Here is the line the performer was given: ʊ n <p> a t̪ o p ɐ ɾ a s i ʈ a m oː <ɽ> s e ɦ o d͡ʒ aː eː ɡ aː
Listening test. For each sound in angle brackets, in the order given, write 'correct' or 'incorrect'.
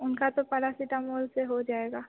incorrect, incorrect

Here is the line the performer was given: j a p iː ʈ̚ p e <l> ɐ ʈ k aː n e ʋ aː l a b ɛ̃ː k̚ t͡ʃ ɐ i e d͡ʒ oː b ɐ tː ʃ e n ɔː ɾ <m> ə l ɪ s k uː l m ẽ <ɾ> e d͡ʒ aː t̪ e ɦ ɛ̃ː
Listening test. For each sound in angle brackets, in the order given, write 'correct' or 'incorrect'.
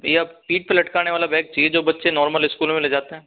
correct, correct, incorrect

